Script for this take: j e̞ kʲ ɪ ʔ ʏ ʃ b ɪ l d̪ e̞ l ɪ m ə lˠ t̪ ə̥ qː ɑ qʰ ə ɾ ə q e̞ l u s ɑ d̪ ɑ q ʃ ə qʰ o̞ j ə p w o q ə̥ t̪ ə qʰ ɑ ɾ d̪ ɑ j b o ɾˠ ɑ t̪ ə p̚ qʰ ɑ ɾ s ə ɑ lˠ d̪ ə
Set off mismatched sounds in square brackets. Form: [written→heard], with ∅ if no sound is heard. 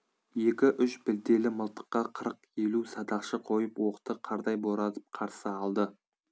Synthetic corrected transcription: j e̞ kʲ ɪ ʔ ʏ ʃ b ɪ l d̪ e̞ l ɪ m ə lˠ t̪ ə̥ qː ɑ qʰ ə ɾ ə q e̞ l u s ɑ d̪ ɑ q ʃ ə qʰ o̞ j ə p w o q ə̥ t̪ ə qʰ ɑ ɾ d̪ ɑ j b o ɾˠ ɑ t̪ ə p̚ qʰ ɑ ɾ s ə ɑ lˠ d̪ ə

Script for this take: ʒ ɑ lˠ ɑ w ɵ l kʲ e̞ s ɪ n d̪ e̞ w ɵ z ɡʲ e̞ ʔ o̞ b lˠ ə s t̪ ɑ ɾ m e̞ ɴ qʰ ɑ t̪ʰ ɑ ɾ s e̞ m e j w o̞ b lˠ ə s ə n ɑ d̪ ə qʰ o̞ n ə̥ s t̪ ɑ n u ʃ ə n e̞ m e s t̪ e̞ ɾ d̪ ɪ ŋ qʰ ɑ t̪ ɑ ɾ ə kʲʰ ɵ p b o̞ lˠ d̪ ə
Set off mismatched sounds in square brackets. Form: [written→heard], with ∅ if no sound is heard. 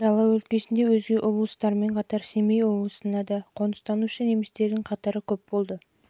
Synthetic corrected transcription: ʒ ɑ lˠ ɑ w ɵ l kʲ e̞ s ɪ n d̪ e̞ w ɵ z ɡʲ e̞ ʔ o̞ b lˠ ə s t̪ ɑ ɾ m e̞ ɴ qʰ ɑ [t̪ʰ→t̪] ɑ ɾ s e̞ m e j w o̞ b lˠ ə s ə n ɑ d̪ [ə→ɑ] qʰ o̞ n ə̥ s t̪ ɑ n u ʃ ə n e̞ m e s t̪ e̞ ɾ d̪ ɪ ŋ qʰ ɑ t̪ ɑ ɾ ə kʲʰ ɵ p b o̞ lˠ d̪ ə

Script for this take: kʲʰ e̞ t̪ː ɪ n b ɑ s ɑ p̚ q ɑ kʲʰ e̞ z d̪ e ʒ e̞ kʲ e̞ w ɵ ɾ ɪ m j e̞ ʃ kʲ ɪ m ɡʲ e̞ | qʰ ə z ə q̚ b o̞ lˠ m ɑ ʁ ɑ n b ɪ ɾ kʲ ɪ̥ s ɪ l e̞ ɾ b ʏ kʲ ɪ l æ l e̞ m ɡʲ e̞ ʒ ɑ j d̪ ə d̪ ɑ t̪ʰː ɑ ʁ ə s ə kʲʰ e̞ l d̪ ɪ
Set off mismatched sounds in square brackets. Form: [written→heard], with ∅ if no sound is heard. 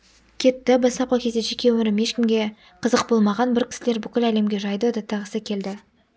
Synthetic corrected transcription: kʲʰ e̞ t̪ː ɪ [n→∅] b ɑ s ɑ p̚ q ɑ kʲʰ e̞ z d̪ e ʒ e̞ kʲ e̞ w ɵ ɾ ɪ m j e̞ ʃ kʲ ɪ m ɡʲ e̞ | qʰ ə z ə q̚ b o̞ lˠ m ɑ ʁ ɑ n b ɪ ɾ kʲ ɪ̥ s ɪ l e̞ ɾ b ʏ kʲ ɪ l æ l e̞ m ɡʲ e̞ ʒ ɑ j d̪ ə d̪ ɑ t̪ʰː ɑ ʁ ə s ə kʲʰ e̞ l d̪ ɪ

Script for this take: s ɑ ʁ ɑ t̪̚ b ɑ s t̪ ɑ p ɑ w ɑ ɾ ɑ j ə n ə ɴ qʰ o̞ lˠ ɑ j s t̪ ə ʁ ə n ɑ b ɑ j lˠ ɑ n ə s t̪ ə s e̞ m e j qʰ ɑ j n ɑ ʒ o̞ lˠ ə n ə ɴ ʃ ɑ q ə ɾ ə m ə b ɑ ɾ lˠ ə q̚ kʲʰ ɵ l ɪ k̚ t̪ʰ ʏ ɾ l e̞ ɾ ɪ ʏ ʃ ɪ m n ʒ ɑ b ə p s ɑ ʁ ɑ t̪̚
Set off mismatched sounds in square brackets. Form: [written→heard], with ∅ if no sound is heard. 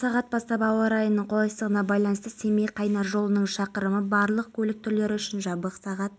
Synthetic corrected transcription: s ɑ ʁ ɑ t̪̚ b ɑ s t̪ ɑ p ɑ w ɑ ɾ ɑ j ə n ə ɴ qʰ o̞ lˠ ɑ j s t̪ ə ʁ ə n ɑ b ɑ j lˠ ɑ n ə s t̪ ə s e̞ m e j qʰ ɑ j n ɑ ʒ o̞ lˠ ə n ə ɴ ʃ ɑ q ə ɾ ə m ə b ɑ ɾ lˠ ə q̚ kʲʰ ɵ l ɪ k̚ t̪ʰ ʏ ɾ l e̞ ɾ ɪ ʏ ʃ ɪ [m→∅] n ʒ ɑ b ə [p→q] s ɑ ʁ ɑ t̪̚

